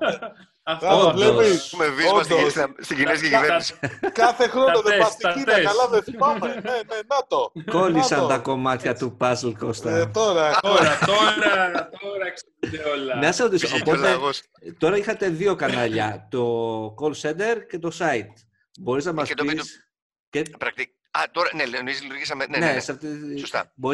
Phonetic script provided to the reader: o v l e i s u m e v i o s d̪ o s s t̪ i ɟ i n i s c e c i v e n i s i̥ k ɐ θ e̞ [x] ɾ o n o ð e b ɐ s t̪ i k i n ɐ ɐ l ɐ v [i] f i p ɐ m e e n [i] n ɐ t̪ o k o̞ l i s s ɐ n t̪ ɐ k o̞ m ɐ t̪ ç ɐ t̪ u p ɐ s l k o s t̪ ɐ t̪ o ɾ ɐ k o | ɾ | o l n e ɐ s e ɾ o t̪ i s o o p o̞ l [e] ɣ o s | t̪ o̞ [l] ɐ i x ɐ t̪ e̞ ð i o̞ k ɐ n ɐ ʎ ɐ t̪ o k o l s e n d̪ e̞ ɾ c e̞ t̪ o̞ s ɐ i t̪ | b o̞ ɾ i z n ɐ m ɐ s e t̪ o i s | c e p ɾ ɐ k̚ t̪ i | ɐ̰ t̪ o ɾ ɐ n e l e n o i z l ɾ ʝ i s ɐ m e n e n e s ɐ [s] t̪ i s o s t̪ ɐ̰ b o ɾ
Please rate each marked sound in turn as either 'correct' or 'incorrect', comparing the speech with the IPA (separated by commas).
correct, incorrect, incorrect, correct, incorrect, incorrect